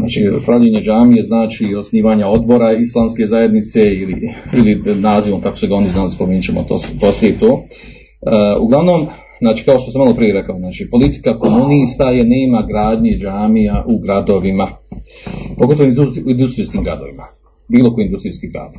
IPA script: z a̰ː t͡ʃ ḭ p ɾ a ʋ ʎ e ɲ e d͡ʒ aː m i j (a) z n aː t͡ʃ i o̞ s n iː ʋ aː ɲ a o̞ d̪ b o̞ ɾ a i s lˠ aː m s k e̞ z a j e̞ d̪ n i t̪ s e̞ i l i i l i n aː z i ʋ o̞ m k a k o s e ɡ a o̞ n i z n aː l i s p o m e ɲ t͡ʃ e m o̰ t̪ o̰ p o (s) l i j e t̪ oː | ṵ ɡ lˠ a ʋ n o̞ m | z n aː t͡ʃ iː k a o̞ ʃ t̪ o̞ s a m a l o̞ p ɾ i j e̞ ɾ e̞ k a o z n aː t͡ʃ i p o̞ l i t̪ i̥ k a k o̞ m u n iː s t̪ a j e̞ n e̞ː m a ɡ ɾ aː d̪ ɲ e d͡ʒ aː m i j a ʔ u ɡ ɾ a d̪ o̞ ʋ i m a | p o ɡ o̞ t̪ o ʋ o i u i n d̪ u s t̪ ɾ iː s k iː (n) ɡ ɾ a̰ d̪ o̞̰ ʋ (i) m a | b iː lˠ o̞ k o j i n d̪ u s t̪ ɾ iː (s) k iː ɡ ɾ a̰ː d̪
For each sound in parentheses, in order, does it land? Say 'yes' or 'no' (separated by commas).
no, yes, no, yes, yes